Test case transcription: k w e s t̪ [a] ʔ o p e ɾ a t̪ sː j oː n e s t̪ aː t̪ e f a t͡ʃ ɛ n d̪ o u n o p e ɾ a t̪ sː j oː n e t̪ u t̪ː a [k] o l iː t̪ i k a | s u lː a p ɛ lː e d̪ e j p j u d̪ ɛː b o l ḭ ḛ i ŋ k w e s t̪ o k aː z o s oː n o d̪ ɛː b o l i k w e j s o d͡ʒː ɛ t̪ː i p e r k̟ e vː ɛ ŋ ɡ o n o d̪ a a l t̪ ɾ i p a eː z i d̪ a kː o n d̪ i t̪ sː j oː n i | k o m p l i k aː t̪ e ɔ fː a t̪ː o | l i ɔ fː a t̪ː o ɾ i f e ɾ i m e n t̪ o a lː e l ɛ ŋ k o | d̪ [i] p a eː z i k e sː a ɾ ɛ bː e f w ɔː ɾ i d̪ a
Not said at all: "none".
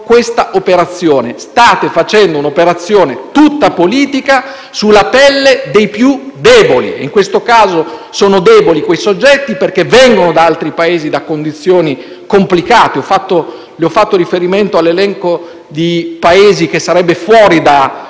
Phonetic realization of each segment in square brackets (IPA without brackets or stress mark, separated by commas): a, p, i